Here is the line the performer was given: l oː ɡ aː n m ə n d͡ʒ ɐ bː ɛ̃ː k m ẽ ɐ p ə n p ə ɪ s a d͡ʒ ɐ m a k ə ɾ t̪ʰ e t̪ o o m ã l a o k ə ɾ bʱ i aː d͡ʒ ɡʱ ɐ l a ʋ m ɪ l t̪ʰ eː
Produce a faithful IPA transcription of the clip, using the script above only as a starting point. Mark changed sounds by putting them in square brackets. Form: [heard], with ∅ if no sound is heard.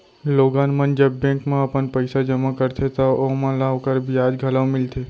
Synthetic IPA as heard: l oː ɡ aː n m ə n d͡ʒ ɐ bː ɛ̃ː k m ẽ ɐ p ə n p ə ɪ s a d͡ʒ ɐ m a k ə ɾ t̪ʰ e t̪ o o m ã l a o k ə ɾ bʱ i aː d͡ʒ ɡʱ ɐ l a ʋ m ɪ l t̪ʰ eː